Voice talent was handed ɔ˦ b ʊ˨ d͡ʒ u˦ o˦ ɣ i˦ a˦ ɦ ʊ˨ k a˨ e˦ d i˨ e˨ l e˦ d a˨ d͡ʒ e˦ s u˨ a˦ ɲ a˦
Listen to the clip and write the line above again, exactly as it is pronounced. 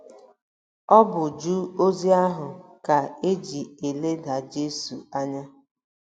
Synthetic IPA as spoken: ɔ˦ b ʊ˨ d͡ʒ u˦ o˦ z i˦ a˦ ɦ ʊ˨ k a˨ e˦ d͡ʒ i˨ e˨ l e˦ d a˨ d͡ʒ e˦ s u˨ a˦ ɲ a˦